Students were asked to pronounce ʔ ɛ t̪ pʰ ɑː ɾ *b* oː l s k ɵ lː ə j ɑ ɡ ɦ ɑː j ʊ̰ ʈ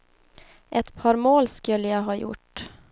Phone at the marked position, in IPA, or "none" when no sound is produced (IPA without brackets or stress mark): m